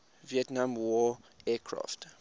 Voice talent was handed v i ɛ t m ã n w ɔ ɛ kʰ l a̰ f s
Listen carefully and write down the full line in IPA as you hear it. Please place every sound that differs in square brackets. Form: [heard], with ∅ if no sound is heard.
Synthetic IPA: v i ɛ t [n] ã [m] w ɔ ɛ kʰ [ɹ] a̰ f [t]